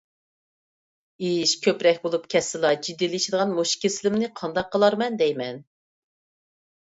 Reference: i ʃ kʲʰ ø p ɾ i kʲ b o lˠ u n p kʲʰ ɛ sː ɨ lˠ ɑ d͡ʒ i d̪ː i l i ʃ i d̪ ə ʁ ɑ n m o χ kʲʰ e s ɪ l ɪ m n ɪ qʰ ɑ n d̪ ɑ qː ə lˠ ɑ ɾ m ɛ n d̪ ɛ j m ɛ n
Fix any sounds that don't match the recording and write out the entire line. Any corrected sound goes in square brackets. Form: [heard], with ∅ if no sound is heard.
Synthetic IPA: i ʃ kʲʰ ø p ɾ [ɛ] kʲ b o lˠ u [∅] p kʲʰ ɛ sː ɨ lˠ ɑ d͡ʒ i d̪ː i l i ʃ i d̪ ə ʁ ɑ n m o [ʃ] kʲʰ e s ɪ l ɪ m n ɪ qʰ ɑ n d̪ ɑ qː ə lˠ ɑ ɾ m ɛ n d̪ ɛ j m ɛ n